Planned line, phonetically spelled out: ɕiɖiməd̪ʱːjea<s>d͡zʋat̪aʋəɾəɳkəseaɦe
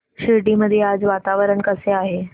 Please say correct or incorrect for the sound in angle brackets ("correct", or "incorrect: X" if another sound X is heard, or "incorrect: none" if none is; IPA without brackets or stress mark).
incorrect: none